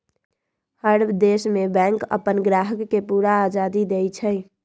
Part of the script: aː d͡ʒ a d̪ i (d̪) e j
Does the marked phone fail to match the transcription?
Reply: no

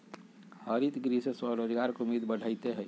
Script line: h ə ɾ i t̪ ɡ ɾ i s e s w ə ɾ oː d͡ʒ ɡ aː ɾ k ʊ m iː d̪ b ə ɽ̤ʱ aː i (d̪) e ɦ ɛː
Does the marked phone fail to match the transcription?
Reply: yes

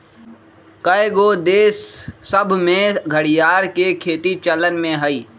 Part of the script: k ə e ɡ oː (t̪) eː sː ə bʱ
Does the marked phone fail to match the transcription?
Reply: yes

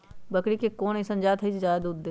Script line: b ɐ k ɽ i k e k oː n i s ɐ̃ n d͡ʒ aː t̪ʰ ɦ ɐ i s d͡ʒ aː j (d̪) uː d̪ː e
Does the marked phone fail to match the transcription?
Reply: no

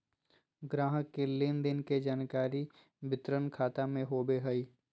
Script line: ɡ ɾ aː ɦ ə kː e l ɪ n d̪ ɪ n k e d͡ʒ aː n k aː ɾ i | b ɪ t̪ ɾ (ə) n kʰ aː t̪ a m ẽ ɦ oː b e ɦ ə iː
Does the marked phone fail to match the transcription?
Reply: no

